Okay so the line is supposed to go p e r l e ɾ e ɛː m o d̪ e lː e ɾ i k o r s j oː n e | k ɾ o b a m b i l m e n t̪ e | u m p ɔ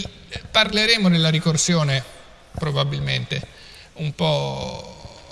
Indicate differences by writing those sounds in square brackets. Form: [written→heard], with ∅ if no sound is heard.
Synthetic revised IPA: p [e→a] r l e ɾ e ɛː m o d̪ e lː [e→a] ɾ i k o r s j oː n e | [k→p] ɾ o b a [m→∅] b i l m e n t̪ e | u m p ɔ